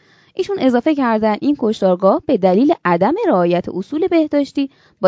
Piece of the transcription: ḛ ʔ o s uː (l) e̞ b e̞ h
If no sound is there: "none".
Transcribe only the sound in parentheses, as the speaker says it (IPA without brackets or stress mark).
l